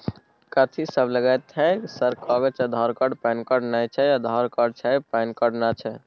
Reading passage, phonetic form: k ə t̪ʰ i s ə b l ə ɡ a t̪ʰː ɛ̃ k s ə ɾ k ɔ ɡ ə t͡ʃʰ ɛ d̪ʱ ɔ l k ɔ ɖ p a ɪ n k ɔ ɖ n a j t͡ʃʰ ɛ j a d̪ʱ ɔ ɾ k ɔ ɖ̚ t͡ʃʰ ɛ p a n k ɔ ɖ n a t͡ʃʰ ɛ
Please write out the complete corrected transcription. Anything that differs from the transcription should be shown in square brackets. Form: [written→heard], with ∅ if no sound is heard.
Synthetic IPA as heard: k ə t̪ʰ i s ə b l ə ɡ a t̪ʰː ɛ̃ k s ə ɾ k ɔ ɡ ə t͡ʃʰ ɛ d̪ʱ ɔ [l→ɾ] k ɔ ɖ p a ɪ n k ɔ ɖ n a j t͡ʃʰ ɛ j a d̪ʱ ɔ ɾ k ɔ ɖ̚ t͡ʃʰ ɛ p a n k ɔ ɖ n a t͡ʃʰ ɛ